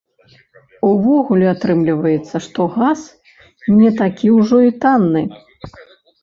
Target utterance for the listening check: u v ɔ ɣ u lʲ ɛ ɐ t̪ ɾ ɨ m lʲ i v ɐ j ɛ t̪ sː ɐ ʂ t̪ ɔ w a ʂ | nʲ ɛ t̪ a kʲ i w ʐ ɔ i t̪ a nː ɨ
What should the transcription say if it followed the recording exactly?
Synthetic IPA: u v ɔ ɣ u lʲ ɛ a t̪ ɾ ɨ m lʲ i v ɐ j ɛ t̪ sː ɐ ʂ t̪ ɔ ɣ a s | nʲ ɛ t̪ a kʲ i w ʐ ɔ i t̪ a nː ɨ